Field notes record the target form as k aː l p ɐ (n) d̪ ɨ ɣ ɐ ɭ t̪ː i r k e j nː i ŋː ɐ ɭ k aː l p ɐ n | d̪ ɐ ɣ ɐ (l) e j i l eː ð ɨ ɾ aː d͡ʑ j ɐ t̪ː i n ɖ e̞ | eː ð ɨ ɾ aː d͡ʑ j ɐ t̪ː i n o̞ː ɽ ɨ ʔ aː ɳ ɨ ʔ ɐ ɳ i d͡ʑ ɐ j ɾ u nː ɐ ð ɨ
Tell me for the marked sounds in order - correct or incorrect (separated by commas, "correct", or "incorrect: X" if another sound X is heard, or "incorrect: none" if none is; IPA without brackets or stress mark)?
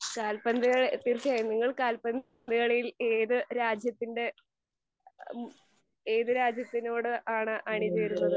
correct, incorrect: ɭ